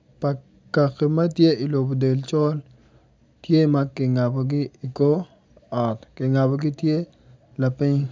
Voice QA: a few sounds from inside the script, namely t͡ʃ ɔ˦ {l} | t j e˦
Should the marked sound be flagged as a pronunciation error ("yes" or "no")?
no